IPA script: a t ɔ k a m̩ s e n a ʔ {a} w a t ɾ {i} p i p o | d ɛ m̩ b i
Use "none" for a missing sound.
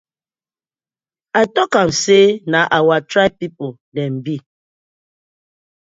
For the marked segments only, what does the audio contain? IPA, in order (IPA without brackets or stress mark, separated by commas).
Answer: a, a